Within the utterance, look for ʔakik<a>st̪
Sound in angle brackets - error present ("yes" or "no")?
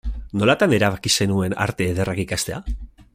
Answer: no